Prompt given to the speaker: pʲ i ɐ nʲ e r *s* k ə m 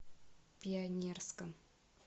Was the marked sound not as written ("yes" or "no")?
no